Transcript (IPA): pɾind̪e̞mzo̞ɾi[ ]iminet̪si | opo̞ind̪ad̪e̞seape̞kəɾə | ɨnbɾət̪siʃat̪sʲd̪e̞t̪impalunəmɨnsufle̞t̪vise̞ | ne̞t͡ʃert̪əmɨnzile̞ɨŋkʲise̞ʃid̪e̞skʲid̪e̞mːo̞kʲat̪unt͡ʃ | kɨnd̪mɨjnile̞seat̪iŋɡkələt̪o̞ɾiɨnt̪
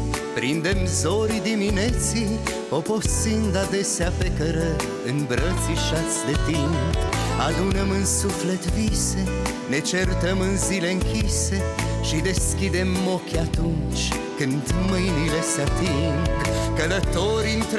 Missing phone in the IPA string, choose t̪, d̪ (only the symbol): d̪